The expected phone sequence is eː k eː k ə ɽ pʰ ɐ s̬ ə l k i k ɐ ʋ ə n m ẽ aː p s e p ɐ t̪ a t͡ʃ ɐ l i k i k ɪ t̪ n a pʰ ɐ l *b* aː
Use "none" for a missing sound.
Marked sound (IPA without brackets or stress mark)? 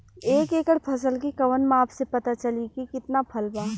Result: b